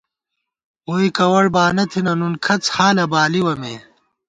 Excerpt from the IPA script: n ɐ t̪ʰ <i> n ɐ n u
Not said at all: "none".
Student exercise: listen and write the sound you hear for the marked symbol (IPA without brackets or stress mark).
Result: i